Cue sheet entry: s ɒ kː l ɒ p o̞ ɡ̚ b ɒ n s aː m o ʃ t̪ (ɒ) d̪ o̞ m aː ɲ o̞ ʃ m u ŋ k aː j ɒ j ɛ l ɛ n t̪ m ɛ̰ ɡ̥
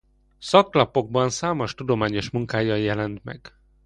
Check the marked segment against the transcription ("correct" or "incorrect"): incorrect